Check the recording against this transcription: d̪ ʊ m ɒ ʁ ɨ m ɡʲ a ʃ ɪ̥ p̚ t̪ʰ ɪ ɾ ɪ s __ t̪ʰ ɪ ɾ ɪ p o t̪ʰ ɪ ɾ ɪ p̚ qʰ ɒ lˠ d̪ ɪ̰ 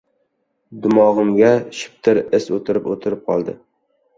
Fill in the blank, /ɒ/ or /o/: o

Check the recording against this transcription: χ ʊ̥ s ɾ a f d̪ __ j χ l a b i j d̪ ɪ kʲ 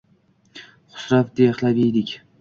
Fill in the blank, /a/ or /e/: e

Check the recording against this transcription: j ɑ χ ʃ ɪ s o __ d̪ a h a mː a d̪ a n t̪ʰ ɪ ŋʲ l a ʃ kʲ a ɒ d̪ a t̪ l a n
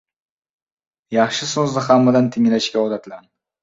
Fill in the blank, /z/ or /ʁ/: z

